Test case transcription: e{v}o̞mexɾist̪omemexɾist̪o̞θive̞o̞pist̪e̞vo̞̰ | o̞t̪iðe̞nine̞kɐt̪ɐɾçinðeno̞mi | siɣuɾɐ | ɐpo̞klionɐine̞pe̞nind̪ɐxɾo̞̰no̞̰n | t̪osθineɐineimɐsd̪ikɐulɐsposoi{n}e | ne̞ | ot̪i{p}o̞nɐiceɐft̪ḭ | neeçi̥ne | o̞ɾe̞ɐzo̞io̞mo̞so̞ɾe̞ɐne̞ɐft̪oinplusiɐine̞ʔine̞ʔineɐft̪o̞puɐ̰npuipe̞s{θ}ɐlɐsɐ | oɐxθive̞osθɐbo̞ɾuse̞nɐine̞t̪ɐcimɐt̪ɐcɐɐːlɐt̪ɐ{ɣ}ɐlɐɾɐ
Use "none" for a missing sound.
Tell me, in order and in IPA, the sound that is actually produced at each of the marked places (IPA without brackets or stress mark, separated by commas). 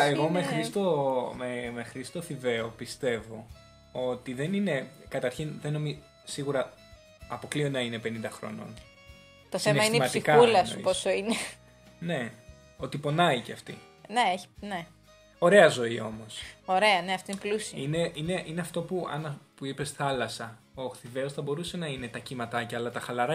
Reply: ɣ, n, p, θ, x